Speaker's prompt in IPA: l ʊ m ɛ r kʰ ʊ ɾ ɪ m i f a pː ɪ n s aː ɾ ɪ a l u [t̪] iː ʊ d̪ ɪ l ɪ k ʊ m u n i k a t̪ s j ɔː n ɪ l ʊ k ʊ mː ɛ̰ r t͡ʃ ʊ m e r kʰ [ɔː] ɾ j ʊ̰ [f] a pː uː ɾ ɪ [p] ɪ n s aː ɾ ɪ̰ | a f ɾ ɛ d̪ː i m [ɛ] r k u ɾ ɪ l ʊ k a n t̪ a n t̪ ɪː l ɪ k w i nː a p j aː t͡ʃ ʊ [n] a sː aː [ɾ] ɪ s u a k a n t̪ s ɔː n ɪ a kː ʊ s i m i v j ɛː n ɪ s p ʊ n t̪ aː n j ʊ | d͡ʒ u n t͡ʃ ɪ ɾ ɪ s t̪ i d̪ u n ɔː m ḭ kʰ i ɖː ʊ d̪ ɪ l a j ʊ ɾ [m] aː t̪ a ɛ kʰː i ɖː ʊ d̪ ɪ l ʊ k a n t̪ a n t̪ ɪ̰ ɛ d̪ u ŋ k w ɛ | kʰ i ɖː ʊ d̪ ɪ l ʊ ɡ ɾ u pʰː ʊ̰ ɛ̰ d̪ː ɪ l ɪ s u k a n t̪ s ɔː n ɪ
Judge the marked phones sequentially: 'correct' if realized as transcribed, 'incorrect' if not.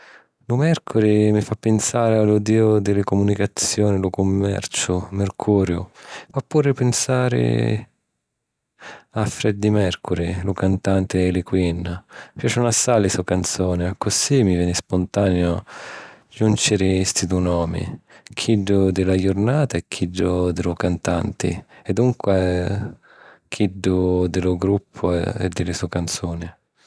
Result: incorrect, incorrect, correct, correct, correct, correct, incorrect, incorrect

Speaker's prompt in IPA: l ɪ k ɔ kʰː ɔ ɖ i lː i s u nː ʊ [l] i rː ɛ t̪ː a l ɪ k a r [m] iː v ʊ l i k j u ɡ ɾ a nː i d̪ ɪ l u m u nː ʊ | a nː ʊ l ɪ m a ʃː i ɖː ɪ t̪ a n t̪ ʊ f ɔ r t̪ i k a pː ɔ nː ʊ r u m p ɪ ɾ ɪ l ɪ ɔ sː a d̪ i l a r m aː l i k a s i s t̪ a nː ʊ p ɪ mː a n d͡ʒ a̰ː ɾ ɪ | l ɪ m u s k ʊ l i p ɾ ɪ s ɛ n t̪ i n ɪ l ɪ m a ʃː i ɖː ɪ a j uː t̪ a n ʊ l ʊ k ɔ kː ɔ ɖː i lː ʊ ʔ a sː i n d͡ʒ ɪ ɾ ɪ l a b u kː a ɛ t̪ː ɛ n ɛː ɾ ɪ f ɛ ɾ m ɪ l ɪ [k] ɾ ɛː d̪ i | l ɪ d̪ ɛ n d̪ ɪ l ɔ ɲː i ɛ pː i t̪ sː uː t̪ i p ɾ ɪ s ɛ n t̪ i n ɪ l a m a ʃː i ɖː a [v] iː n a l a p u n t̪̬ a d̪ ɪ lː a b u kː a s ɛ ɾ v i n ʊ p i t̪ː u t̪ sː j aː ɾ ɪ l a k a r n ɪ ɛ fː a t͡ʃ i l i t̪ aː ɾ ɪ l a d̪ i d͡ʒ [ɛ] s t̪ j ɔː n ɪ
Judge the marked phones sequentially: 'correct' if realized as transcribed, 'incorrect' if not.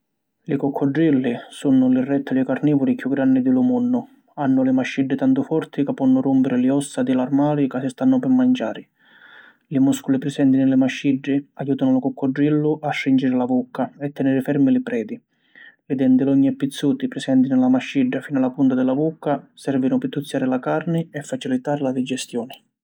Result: correct, incorrect, incorrect, incorrect, correct

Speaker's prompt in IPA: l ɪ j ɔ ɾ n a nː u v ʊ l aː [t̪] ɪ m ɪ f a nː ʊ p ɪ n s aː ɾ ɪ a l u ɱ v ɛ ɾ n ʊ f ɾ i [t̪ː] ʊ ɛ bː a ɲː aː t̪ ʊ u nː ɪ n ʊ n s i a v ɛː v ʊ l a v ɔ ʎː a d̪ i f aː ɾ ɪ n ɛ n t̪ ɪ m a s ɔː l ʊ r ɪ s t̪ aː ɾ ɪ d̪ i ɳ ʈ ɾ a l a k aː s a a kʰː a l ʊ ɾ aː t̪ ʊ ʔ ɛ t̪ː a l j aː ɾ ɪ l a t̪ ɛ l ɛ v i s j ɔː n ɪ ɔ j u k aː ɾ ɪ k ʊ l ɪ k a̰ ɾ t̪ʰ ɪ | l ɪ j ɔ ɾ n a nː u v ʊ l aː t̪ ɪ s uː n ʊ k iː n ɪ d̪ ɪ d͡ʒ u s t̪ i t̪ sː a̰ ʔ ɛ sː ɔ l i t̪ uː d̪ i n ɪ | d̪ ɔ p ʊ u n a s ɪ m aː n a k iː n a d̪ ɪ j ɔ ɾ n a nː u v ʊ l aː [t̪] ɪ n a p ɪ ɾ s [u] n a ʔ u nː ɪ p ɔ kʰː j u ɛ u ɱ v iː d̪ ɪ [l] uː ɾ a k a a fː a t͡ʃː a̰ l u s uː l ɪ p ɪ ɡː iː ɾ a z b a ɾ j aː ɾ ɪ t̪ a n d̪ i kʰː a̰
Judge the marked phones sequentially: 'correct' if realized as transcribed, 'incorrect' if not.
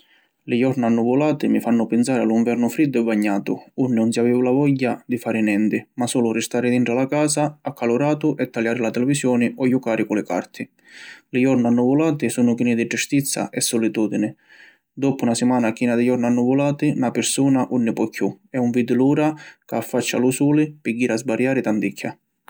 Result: correct, incorrect, correct, incorrect, correct

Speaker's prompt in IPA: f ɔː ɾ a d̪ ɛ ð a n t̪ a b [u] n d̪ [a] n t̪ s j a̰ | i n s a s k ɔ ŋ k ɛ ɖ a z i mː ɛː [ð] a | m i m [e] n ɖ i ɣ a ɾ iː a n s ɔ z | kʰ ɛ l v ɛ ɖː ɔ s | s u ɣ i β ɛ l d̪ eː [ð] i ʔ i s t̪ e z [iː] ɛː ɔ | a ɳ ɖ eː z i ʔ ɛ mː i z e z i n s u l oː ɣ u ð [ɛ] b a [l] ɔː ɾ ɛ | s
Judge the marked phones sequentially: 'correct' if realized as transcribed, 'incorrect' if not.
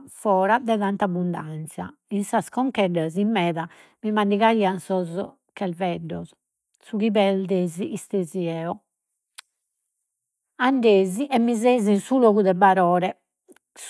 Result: correct, correct, correct, incorrect, incorrect, incorrect, correct, incorrect

